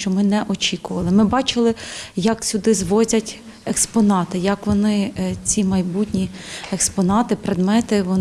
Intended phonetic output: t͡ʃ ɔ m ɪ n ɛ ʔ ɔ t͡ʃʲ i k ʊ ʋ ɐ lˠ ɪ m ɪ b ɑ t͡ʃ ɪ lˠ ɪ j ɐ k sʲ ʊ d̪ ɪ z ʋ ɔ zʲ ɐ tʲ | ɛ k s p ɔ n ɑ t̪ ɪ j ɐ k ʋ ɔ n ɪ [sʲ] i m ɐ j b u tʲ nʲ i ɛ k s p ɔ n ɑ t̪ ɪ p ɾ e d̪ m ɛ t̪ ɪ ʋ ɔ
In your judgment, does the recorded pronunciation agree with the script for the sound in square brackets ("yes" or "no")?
no